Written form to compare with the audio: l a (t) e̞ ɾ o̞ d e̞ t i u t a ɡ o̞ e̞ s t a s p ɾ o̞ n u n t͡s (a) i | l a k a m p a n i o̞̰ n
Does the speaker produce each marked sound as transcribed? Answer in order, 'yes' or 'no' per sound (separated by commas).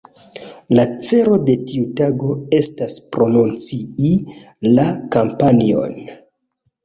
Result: no, no